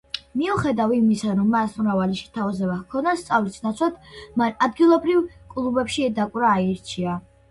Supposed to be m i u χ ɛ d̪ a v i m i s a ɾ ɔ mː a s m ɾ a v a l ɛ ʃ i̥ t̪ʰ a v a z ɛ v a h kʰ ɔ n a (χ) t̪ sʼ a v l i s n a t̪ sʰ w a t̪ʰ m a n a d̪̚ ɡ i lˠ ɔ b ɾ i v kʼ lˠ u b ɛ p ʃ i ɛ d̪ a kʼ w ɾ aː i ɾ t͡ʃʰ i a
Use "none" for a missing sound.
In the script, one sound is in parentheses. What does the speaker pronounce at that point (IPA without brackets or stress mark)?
s